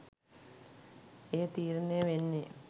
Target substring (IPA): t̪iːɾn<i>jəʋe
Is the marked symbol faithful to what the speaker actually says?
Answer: no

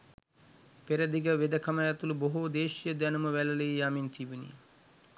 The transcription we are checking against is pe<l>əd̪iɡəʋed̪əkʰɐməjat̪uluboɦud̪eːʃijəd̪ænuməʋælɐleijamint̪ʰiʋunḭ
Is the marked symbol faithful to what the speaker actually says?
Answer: no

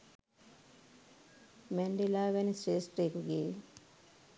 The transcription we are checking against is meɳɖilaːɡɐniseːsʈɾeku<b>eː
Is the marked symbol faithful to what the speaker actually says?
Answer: no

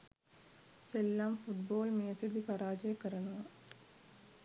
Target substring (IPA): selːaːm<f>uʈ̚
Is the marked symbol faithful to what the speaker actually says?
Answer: yes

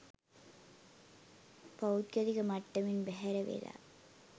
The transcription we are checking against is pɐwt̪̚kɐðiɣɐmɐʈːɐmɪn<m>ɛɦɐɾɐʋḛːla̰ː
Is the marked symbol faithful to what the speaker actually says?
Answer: no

